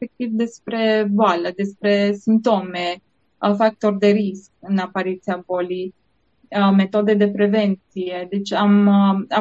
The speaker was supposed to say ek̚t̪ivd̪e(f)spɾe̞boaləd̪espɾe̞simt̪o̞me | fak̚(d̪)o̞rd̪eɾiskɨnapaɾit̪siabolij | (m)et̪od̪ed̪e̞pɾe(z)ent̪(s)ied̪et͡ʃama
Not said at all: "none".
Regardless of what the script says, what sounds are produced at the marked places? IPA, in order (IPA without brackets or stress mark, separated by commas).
none, t̪, m, v, s